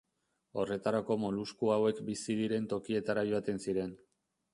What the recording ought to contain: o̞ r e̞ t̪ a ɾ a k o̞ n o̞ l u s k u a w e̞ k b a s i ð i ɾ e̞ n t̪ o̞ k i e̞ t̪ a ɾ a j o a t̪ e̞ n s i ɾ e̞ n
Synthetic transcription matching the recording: o̞ r e̞ t̪ a ɾ a k o̞ m o̞ l u s k u a w e̞ k b i s i ð i ɾ e̞ n t̪ o̞ k i e̞ t̪ a ɾ a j o a t̪ e̞ n s i ɾ e̞ n